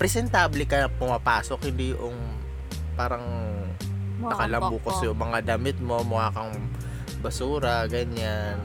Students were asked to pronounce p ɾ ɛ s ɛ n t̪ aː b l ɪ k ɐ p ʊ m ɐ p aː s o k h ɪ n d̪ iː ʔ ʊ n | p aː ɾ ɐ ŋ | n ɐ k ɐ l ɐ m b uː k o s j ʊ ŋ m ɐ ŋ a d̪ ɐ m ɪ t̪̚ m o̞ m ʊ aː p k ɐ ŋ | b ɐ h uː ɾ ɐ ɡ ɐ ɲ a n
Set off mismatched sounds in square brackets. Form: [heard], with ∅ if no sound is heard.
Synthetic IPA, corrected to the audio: p ɾ ɛ s ɛ n t̪ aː b l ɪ k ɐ p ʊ m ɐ p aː s o k h ɪ n d̪ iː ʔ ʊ [ŋ] | p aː ɾ ɐ ŋ | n ɐ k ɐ l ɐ m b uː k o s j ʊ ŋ m ɐ ŋ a d̪ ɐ m ɪ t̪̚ m o̞ m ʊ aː [∅] k ɐ ŋ | b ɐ [s] uː ɾ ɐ ɡ ɐ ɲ a n